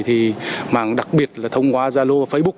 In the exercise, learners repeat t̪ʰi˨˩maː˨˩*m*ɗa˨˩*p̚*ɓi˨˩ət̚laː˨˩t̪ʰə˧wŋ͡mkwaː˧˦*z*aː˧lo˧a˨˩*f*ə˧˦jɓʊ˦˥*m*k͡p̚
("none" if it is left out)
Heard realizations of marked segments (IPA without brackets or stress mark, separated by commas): ŋ, k̚, z, f, none